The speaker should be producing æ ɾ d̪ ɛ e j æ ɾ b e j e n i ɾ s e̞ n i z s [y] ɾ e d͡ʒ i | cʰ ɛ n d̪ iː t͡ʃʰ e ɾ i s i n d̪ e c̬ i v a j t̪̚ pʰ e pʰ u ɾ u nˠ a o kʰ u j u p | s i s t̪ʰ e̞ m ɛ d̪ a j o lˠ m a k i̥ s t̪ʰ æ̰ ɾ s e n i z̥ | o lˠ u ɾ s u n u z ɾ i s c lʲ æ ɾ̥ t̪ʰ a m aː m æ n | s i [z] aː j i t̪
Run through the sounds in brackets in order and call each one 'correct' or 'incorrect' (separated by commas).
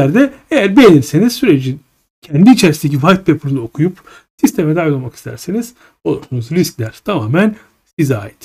correct, correct